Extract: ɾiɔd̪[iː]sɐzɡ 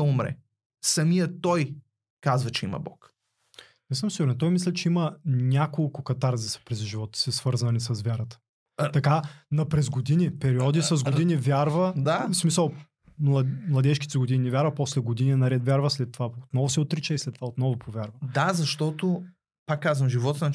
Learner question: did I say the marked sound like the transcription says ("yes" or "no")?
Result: no